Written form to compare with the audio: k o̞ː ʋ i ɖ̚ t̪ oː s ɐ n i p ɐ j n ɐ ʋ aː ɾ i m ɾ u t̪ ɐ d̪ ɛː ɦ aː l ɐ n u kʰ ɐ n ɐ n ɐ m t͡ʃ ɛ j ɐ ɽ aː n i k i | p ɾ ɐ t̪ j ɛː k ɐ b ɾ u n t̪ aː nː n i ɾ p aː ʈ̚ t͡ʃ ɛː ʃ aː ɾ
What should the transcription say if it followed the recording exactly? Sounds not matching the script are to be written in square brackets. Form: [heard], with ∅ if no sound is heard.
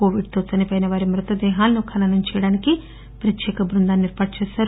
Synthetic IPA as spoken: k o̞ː ʋ i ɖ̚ t̪ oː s ɐ n i p ɐ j n ɐ ʋ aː ɾ i m ɾ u t̪ ɐ d̪ ɛː ɦ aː l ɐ n u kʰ ɐ n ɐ n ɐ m t͡ʃ ɛ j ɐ ɽ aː n i k i | p ɾ ɐ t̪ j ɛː k ɐ b ɾ u n [d̪] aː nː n i ɾ p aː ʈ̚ t͡ʃ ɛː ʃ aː ɾ